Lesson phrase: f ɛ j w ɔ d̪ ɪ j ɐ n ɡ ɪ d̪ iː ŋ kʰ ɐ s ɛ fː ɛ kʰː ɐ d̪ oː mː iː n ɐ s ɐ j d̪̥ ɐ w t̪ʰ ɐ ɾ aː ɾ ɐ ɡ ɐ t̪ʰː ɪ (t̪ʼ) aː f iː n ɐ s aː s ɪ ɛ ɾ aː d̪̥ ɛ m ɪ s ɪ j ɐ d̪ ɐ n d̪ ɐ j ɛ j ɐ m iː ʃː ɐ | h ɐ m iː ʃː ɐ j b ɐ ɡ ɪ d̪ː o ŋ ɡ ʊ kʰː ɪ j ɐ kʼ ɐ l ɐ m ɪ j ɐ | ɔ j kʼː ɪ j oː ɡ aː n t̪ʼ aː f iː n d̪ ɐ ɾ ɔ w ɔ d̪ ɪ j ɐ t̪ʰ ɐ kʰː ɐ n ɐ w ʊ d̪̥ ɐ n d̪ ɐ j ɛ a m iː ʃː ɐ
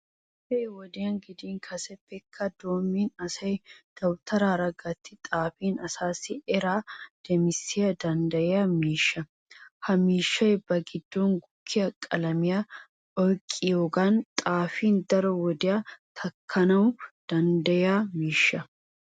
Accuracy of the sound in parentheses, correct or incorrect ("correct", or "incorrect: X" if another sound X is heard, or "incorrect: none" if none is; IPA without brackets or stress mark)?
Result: correct